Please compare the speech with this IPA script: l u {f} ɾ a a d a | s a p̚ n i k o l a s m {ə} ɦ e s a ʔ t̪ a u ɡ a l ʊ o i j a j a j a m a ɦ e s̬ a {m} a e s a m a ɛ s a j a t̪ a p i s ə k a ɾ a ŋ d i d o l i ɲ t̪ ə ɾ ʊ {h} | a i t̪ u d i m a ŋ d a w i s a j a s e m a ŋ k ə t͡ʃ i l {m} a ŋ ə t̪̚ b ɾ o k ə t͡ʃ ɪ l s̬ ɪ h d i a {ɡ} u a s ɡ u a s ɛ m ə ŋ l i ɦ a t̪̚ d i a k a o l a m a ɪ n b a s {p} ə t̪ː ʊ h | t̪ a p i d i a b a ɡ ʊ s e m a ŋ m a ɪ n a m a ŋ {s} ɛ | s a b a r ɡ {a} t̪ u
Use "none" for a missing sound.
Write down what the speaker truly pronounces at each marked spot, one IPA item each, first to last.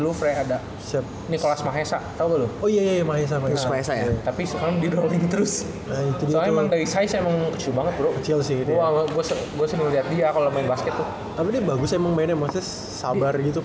f, a, m, s, b, ɡ, k, s, i

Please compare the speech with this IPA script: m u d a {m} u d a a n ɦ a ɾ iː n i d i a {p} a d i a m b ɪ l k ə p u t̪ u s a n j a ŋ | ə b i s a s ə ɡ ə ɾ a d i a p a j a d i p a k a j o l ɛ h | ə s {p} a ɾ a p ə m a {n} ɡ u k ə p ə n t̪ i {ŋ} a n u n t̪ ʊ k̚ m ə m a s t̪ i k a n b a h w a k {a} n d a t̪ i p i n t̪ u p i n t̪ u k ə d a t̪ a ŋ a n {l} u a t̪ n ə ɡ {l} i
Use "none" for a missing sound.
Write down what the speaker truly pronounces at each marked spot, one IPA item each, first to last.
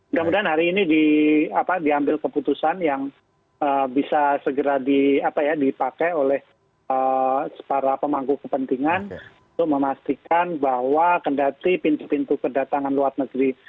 m, p, p, ŋ, ŋ, ə, l, ɾ

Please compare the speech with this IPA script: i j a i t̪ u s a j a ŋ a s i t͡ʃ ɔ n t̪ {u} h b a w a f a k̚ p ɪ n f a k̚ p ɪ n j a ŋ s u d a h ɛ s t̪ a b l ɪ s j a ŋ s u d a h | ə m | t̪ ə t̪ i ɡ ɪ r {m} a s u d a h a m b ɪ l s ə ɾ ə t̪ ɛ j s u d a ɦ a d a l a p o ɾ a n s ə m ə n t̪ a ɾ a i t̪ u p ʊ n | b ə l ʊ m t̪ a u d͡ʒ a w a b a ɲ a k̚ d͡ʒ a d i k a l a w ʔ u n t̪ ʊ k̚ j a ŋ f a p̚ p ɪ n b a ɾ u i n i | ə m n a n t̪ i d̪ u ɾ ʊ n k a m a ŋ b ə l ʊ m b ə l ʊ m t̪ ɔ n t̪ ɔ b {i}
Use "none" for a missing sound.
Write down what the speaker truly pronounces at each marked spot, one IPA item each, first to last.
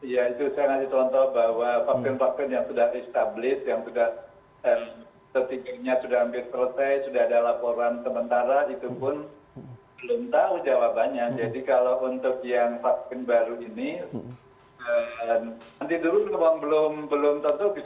ɔ, ɲ, i

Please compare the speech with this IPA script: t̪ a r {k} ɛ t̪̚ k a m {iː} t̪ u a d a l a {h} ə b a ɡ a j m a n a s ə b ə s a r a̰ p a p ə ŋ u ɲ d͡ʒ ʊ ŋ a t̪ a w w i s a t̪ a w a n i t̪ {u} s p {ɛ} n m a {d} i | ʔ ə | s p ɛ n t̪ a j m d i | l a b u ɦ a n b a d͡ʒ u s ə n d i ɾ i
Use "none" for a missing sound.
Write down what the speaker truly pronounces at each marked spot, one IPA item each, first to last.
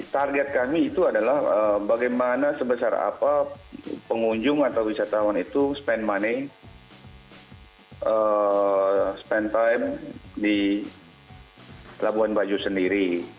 ɡ, iː, h, u, ɛ, n

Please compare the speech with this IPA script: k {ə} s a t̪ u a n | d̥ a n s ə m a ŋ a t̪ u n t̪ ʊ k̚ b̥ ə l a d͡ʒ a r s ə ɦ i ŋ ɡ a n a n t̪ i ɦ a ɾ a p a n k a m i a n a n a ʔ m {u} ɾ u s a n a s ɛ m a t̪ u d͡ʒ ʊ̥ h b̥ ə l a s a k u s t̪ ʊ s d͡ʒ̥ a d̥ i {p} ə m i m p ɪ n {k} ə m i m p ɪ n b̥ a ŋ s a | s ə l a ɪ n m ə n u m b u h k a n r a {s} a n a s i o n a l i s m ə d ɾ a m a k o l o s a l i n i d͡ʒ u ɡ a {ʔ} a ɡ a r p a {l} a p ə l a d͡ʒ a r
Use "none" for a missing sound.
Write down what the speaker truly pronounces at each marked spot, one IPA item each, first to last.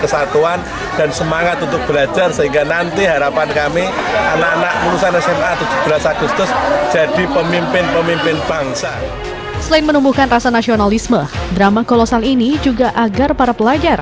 ə, u, p, p, s, ʔ, ɾ

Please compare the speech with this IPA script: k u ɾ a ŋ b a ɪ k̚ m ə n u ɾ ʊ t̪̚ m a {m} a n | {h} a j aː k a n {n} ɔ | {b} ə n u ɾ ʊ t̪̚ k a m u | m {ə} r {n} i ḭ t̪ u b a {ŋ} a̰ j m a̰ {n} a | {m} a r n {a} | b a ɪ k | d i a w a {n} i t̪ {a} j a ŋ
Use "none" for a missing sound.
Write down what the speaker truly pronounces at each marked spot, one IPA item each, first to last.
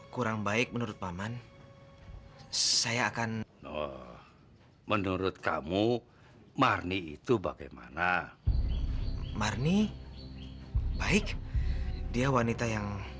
m, s, n, m, a, n, ɡ, n, m, i, n, a

